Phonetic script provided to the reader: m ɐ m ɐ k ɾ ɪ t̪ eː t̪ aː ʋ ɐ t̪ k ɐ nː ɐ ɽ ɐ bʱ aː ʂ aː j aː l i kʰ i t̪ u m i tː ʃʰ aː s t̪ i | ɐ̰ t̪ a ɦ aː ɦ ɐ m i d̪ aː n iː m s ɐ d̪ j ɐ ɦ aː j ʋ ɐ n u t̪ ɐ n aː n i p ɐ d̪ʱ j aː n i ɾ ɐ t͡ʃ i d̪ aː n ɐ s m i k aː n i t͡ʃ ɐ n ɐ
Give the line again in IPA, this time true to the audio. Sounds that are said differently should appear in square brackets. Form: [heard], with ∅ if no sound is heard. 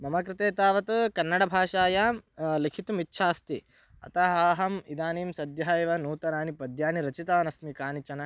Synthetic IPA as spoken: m ɐ m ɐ k ɾ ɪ t̪ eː t̪ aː ʋ ɐ t̪ k ɐ nː ɐ ɽ ɐ bʱ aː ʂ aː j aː l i kʰ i t̪ u m i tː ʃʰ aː s t̪ i | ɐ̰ t̪ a ɦ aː ɦ ɐ m i d̪ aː n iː m s ɐ d̪ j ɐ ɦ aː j ʋ ɐ n [uː] t̪ ɐ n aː n i p ɐ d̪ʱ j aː n i ɾ ɐ t͡ʃ i [t̪] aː n ɐ s m i k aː n i t͡ʃ ɐ n ɐ